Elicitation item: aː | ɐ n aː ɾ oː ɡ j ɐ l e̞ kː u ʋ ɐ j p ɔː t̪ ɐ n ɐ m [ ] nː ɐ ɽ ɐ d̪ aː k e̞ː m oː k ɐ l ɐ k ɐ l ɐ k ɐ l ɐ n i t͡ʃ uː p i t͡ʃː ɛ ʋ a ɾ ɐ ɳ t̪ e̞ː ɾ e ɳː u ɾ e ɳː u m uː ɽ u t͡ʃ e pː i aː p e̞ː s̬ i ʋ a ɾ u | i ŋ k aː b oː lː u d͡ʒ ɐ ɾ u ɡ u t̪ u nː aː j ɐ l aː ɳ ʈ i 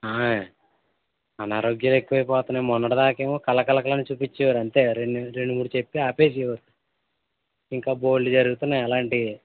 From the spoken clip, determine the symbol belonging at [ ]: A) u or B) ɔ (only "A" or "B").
B